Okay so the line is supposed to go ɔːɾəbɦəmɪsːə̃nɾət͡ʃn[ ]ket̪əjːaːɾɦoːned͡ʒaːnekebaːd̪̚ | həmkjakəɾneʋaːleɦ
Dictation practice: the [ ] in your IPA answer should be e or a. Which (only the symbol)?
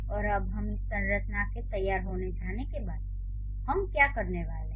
a